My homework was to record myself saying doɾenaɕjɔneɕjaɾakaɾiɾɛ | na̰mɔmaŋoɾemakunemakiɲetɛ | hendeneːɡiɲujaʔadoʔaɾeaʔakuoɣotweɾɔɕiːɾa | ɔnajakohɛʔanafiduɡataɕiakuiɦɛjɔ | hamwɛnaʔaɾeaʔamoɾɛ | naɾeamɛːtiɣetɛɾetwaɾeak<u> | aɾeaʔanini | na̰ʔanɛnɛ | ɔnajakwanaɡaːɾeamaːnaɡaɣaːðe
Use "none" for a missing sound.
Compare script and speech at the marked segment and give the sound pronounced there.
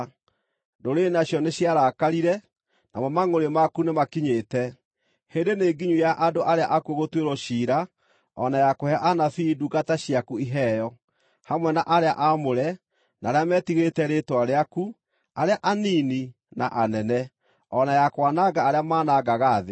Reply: u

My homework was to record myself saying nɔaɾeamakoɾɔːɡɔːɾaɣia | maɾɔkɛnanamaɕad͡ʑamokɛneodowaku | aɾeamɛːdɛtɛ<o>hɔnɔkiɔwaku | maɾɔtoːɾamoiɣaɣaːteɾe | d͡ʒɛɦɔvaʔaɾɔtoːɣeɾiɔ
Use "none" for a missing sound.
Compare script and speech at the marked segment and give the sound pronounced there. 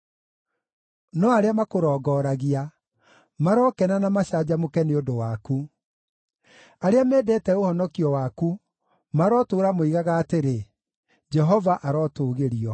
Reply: o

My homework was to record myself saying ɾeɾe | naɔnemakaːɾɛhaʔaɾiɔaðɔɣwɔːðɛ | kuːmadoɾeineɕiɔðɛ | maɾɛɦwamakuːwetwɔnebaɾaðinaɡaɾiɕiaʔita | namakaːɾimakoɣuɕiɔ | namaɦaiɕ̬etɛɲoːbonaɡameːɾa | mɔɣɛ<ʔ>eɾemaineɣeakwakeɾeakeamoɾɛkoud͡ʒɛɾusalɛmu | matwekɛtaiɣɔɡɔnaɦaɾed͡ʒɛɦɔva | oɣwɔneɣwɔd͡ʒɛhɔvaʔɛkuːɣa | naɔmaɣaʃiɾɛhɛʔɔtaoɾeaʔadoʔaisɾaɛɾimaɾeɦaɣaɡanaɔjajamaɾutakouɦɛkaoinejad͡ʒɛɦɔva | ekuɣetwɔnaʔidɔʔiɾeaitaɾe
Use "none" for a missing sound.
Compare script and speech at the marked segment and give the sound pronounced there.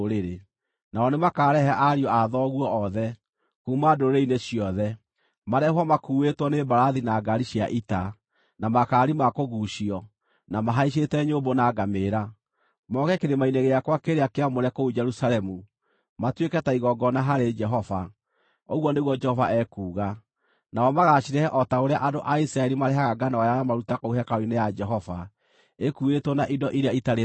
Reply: k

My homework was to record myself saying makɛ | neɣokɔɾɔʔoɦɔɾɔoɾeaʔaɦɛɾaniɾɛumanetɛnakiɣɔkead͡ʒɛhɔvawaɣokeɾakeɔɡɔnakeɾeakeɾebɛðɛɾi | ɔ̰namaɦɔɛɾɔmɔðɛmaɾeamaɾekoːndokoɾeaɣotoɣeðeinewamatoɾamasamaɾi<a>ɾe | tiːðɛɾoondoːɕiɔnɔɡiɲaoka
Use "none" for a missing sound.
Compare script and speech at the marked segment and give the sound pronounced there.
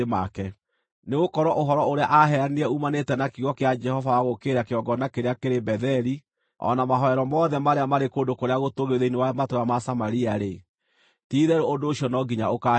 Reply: a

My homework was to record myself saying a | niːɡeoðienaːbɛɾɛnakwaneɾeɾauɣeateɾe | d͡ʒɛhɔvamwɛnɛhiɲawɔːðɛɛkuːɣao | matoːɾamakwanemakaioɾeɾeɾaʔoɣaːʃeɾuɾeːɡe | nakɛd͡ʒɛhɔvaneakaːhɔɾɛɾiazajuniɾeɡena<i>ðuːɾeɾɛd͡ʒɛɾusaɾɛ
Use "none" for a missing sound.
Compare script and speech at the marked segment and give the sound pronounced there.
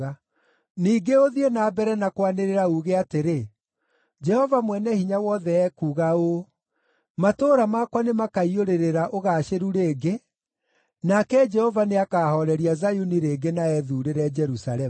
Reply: ɛ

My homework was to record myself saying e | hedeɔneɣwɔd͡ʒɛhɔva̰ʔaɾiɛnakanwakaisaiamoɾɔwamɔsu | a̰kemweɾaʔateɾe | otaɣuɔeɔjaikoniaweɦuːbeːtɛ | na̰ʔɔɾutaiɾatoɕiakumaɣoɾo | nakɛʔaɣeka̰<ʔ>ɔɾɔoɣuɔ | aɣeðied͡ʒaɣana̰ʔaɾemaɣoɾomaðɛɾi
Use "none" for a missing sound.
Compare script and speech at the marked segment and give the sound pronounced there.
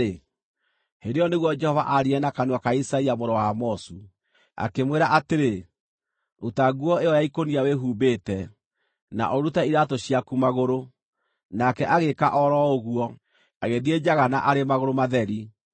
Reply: ʔ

